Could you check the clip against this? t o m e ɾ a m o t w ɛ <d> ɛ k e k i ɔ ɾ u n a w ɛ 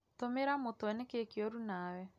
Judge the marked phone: incorrect: n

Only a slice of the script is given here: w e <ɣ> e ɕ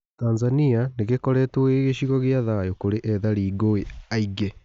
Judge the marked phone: correct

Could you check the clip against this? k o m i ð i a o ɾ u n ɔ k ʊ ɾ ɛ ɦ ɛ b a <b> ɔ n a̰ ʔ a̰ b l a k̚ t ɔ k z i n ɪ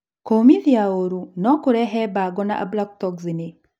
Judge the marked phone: incorrect: ɡ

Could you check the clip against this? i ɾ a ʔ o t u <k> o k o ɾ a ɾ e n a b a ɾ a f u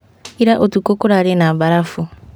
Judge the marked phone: correct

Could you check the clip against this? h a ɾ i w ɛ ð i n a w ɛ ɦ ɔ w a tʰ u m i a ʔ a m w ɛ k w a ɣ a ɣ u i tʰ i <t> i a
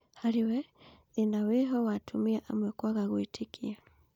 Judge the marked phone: incorrect: k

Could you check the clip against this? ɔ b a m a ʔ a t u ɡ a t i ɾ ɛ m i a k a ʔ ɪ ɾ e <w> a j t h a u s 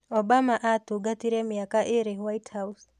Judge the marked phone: correct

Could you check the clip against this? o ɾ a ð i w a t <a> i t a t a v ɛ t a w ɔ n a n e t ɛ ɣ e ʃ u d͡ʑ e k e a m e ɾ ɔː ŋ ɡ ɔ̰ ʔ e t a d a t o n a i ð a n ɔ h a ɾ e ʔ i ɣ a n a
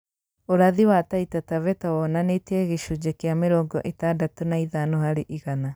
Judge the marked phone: correct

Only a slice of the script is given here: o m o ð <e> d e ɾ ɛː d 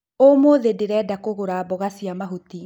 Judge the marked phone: correct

